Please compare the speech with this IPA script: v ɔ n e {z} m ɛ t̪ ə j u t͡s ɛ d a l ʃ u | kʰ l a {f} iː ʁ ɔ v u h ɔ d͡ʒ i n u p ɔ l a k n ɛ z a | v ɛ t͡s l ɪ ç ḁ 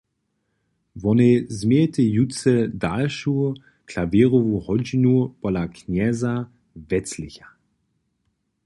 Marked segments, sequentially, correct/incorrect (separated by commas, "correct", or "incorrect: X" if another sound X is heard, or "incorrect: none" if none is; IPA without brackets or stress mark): correct, incorrect: v